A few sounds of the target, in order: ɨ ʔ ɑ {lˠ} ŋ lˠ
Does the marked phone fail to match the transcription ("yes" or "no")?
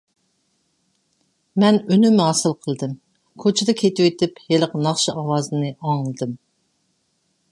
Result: yes